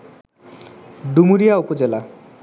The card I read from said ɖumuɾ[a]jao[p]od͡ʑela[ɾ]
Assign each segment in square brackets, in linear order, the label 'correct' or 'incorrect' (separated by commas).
incorrect, correct, incorrect